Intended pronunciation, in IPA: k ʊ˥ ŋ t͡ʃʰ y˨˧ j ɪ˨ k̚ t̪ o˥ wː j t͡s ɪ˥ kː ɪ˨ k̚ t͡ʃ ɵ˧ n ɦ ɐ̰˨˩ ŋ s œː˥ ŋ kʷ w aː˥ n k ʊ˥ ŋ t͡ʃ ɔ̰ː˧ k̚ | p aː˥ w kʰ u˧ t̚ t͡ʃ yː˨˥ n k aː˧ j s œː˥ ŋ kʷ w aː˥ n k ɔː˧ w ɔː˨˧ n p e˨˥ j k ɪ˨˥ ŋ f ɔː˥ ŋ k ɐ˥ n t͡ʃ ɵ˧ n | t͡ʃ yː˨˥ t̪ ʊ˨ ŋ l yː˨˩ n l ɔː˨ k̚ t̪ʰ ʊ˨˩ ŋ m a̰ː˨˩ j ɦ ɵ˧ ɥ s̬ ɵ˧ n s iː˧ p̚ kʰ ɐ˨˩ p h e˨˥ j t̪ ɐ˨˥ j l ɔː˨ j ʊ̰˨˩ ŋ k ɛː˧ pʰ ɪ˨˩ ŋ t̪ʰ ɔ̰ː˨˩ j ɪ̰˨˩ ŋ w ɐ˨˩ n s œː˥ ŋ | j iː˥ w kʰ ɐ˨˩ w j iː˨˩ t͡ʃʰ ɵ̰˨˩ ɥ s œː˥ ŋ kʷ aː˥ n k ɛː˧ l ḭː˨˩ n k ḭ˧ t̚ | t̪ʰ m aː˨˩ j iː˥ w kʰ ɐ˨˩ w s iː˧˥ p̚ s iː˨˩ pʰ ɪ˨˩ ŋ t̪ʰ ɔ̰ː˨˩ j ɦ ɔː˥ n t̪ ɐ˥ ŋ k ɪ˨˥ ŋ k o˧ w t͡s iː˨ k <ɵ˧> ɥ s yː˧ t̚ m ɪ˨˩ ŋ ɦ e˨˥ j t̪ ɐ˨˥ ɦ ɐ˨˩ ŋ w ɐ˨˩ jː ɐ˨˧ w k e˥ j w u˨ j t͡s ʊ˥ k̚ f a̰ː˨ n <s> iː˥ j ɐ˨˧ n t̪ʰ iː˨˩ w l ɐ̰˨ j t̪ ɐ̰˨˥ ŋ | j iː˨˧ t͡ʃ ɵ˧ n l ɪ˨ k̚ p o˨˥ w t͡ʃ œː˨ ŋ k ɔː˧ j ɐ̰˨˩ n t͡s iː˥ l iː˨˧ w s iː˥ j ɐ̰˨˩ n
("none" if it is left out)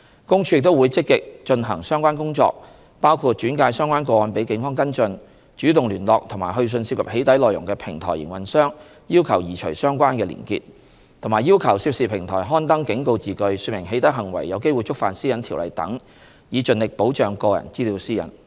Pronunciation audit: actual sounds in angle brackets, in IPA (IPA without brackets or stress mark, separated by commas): ɵ˧, s